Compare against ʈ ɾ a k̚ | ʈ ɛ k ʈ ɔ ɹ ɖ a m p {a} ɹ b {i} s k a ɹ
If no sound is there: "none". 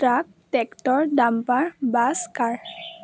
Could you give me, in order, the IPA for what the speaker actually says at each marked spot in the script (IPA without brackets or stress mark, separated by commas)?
a, a